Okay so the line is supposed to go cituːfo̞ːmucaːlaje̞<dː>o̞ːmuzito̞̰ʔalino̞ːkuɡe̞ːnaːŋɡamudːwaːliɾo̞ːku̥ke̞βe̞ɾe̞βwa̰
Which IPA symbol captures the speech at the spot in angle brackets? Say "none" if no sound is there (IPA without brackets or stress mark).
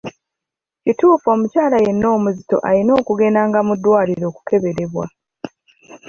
nː